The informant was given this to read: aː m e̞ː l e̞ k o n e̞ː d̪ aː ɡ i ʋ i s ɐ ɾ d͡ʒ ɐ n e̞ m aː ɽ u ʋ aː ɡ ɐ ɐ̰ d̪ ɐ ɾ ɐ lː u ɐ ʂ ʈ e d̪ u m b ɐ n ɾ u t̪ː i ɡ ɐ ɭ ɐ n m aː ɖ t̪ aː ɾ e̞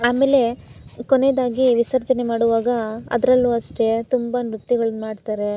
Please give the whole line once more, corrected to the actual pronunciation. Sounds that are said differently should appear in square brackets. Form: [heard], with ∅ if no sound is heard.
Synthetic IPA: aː m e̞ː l e̞ k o n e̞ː d̪ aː ɡ i ʋ i s ɐ ɾ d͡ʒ ɐ n e̞ m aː ɽ u ʋ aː ɡ ɐ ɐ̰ d̪ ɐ ɾ ɐ lː u ɐ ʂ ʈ e [t̪] u m b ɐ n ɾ u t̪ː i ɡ ɐ ɭ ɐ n m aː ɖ t̪ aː ɾ e̞